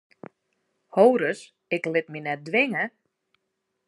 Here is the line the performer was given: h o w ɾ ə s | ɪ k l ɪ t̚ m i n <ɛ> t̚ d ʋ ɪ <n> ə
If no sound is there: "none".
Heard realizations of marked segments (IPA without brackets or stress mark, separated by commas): ɛ, ŋ